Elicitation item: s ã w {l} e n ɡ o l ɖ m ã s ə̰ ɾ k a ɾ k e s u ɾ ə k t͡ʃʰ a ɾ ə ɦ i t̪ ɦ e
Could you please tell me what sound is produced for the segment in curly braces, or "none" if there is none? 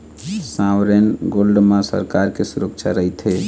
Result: ɾ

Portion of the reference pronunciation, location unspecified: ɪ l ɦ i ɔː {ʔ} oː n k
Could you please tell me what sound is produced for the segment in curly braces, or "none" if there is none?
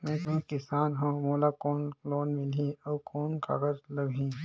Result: k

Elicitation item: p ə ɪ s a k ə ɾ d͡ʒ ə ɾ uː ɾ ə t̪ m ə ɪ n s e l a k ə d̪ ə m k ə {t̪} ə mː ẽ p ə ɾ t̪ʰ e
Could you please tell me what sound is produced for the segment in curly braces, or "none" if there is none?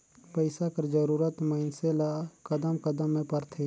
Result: d̪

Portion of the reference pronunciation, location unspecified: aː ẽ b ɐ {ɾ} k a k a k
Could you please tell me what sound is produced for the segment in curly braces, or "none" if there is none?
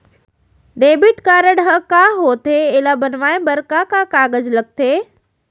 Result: ɾ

